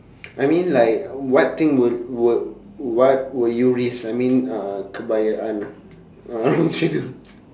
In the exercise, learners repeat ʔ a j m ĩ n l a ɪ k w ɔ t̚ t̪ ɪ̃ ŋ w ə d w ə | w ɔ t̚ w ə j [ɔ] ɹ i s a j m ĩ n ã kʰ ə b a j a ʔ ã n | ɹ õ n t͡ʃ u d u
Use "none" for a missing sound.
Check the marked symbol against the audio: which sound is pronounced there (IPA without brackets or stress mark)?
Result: u